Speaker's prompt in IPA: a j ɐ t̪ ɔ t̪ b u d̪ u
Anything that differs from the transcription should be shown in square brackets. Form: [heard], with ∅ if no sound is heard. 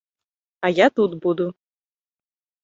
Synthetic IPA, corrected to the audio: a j [a] t̪ [u] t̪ b u d̪ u